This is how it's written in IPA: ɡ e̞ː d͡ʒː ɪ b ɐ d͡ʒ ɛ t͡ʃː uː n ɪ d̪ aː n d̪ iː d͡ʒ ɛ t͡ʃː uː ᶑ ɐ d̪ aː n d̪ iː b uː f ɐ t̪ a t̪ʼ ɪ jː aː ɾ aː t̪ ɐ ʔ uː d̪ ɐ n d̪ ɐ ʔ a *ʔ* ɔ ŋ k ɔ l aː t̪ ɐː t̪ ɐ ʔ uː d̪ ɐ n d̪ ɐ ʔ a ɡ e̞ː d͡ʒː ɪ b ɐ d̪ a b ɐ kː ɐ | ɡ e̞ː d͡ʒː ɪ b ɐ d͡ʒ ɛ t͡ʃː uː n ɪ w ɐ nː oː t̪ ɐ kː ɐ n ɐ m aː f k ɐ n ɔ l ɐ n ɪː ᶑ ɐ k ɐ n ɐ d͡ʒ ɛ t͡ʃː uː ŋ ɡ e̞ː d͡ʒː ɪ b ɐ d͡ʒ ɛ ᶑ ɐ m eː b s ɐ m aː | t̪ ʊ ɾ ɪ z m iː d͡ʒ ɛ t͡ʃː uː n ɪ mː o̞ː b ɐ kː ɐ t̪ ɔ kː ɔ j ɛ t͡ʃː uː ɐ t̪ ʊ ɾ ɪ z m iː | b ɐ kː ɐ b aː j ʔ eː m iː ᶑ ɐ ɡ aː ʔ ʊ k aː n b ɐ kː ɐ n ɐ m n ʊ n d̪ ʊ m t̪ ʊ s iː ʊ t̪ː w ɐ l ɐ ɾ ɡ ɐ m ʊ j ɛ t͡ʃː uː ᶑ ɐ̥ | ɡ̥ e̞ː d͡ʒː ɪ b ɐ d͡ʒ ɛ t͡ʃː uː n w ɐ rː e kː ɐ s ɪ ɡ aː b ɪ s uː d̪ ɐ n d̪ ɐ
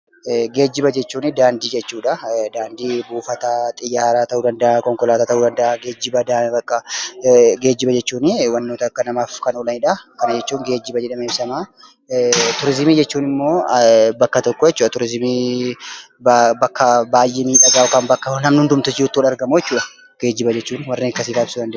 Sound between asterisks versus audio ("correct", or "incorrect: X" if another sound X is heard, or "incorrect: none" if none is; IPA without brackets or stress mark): incorrect: k